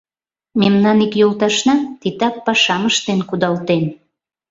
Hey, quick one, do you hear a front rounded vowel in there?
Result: no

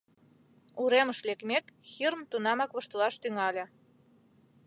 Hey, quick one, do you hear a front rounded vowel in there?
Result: yes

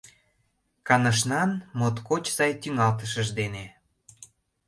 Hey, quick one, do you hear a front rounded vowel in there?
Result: yes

